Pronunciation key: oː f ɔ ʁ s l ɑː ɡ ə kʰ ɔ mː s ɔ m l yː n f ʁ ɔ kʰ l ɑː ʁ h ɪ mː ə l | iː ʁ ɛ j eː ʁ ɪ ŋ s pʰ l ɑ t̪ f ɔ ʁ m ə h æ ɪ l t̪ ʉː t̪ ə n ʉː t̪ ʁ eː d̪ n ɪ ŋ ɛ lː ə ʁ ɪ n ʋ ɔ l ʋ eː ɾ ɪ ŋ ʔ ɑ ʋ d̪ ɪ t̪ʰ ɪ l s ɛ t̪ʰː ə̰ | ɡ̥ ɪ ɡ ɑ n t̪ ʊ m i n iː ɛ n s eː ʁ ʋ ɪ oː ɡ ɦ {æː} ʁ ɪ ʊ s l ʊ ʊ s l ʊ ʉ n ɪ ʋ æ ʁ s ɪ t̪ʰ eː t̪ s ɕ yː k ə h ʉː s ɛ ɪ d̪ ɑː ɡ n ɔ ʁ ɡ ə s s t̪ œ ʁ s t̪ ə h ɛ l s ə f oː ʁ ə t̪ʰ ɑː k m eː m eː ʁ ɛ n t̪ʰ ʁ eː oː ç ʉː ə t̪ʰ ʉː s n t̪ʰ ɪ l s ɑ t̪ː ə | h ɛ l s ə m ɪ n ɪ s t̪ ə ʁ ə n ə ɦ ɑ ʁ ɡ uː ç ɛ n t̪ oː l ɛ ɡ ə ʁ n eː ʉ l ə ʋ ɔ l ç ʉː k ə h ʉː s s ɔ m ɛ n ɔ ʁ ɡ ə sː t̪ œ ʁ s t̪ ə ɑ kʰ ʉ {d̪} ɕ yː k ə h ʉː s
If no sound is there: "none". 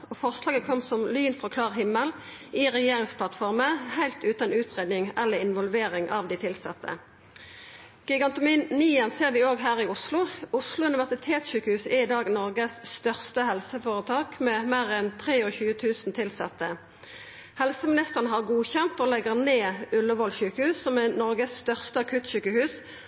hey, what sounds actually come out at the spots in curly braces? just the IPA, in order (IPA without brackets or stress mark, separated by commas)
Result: æː, t̪